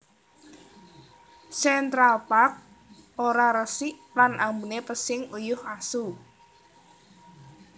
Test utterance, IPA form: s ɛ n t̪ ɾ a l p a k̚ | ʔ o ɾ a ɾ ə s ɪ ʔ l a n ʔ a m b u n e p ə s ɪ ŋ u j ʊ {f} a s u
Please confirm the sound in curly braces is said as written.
no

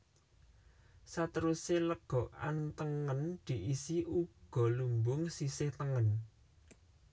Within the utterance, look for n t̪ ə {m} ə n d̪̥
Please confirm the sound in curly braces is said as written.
no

